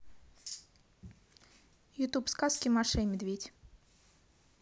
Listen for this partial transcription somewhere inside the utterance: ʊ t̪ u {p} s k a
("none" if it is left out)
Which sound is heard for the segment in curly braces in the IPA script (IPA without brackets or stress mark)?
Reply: p